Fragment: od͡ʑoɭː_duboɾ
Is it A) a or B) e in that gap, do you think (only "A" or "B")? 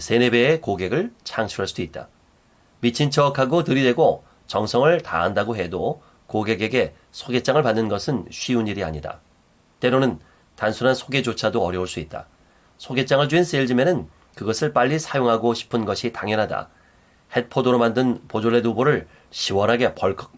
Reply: B